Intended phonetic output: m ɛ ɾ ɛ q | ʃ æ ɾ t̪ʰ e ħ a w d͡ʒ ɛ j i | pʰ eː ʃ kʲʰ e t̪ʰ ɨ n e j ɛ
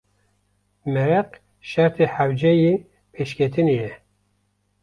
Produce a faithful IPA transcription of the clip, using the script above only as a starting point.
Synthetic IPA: m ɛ ɾ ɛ q | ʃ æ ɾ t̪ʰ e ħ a w d͡ʒ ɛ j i | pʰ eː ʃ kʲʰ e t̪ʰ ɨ n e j ɛ